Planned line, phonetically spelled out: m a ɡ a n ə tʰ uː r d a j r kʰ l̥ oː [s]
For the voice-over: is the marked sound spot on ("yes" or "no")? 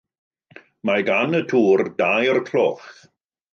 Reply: no